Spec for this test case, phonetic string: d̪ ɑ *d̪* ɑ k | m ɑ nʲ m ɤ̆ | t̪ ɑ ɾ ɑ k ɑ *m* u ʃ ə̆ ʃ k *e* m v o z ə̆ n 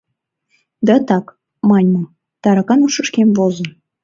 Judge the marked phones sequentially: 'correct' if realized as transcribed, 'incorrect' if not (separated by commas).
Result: incorrect, incorrect, correct